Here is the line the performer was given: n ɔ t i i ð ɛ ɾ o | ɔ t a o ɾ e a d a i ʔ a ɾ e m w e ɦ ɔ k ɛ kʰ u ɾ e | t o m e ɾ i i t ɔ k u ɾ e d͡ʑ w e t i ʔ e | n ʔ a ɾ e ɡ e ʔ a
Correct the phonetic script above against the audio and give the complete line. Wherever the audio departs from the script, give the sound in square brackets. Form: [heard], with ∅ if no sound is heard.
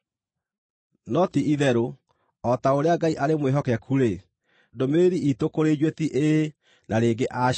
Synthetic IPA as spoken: n ɔ t i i ð ɛ ɾ o | ɔ t a o ɾ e a [ɡ] a i ʔ a ɾ e m w e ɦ ɔ k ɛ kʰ u ɾ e | [d] o m e ɾ i i t [o] k [o] ɾ e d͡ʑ w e t i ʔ e | n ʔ a ɾ e ɡ e ʔ a